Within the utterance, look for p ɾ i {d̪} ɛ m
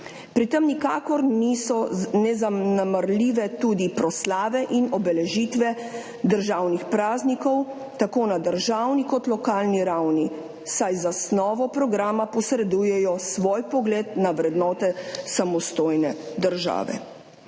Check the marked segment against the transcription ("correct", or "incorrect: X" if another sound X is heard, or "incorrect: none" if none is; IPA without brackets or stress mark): incorrect: t̪